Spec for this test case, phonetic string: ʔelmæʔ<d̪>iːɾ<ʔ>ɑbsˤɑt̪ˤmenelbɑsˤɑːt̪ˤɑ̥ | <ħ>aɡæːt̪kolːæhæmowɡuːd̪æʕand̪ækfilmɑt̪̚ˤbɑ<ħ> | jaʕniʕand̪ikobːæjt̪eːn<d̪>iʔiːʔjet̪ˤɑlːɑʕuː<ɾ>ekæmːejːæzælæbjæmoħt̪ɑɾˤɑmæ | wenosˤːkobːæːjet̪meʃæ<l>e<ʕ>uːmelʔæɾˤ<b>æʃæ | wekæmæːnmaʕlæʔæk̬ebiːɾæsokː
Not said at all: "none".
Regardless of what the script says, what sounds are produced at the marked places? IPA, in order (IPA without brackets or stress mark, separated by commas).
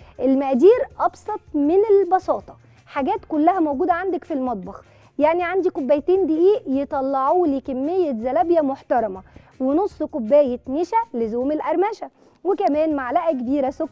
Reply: d̪, ʔ, ħ, x, d̪, l, l, z, m